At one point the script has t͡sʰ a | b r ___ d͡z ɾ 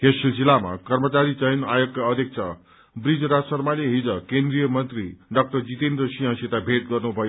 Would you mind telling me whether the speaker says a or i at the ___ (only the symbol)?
i